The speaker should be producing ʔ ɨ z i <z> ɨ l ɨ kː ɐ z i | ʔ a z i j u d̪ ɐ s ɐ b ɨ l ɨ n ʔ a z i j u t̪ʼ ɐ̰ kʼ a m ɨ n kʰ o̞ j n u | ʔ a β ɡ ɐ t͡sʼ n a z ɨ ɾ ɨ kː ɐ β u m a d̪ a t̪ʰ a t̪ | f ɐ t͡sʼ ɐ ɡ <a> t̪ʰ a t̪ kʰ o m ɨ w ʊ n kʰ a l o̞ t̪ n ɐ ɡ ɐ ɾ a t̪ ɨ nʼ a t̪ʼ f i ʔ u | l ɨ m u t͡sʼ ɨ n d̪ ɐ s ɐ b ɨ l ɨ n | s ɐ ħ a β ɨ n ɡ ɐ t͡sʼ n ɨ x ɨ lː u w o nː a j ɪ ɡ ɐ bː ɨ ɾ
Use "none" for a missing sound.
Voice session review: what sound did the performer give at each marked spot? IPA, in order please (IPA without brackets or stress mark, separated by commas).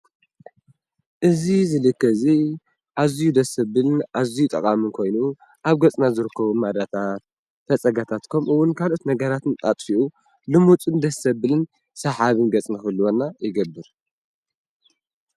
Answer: z, a